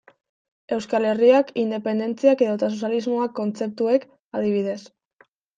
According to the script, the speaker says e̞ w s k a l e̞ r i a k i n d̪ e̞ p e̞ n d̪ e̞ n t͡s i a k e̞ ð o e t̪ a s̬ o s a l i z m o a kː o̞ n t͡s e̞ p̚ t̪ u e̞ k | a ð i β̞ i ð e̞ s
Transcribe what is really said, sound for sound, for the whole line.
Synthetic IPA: e̞ w s k a l e̞ r i a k i n d̪ e̞ p e̞ n d̪ e̞ n t͡s i a k e̞ ð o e t̪ a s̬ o s a l i z m o a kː o̞ n t͡s e̞ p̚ t̪ u e̞ k | a ð i β̞ i ð e̞ s